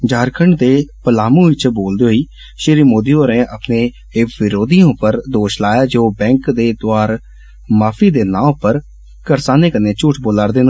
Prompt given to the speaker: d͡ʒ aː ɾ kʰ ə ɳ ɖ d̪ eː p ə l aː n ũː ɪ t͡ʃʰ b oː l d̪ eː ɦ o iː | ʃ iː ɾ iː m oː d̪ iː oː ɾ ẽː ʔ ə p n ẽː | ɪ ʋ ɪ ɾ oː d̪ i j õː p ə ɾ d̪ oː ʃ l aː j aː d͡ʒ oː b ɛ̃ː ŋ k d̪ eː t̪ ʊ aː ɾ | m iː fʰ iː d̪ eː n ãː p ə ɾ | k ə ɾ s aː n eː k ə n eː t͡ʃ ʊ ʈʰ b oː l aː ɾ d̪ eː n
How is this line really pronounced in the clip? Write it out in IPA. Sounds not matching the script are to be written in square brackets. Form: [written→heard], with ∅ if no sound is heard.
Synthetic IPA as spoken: d͡ʒ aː ɾ kʰ ə ɳ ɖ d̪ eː p ə l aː [n→m] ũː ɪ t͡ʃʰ b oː l d̪ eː ɦ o iː | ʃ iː ɾ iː m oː d̪ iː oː ɾ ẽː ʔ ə p n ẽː | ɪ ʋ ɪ ɾ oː d̪ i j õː p ə ɾ d̪ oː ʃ l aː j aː d͡ʒ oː b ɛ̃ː ŋ k d̪ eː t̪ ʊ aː ɾ | m [iː→aː] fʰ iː d̪ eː n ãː p ə ɾ | k ə ɾ s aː n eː k ə n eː t͡ʃ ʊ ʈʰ b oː l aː ɾ d̪ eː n